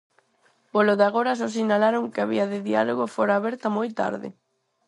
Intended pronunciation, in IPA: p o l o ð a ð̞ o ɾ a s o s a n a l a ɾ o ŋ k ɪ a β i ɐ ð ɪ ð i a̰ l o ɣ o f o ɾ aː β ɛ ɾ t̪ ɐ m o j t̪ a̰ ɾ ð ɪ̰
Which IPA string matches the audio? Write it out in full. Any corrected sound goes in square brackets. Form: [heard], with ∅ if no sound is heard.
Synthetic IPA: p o l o ð a [ɣ̞] o ɾ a s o s [i] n a l a ɾ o ŋ k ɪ a β i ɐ ð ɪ ð i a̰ l o ɣ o f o ɾ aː β ɛ ɾ t̪ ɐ m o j t̪ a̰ ɾ ð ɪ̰